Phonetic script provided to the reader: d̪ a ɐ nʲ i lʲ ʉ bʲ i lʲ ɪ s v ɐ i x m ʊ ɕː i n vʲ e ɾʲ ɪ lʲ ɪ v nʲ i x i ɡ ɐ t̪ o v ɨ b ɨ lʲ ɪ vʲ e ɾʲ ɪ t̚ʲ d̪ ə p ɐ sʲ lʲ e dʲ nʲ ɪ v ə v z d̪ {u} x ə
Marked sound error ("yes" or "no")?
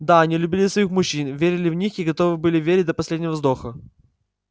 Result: yes